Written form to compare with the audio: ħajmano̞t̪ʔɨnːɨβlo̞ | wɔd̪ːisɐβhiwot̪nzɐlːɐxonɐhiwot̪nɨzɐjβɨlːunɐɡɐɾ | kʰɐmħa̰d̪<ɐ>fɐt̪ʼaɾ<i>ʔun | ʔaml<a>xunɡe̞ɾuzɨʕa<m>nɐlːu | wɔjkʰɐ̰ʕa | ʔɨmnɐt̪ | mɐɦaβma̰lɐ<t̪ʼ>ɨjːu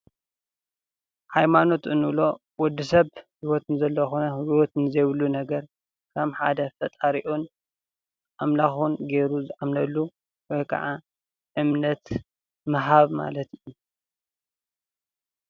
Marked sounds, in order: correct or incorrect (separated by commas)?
correct, correct, correct, correct, incorrect